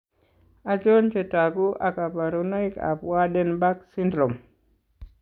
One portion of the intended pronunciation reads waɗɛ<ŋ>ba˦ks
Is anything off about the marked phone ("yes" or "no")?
yes